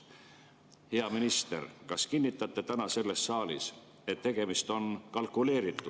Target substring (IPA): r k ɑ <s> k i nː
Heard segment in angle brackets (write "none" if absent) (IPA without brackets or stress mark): s